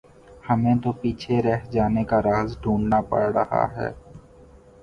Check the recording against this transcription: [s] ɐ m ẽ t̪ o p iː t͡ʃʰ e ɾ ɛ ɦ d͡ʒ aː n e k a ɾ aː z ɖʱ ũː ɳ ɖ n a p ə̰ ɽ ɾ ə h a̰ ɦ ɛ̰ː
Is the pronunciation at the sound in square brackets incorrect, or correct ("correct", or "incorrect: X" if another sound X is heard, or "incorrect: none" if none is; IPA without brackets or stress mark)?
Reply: incorrect: h